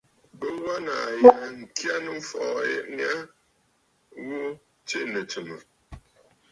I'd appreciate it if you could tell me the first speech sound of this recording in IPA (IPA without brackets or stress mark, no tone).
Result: b